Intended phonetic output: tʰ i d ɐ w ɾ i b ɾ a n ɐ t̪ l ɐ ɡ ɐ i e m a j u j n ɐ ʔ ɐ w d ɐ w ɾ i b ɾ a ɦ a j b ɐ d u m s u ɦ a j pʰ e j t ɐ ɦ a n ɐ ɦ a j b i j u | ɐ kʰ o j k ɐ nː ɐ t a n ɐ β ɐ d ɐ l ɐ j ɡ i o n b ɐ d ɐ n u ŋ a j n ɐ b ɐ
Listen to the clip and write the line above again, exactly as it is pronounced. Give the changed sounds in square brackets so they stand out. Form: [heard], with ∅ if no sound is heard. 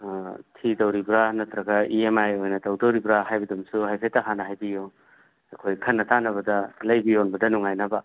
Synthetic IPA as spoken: tʰ i d ɐ w ɾ i b ɾ a n ɐ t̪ [ɾ] ɐ ɡ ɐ i e m a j [o] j n ɐ [t] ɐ w d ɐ w ɾ i b ɾ a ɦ a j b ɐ d u m s u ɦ a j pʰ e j t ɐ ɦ a n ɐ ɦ a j b i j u | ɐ kʰ o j [kʰ] ɐ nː ɐ t a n ɐ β ɐ d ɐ l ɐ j [b] i o n b ɐ d ɐ n u ŋ a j n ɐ b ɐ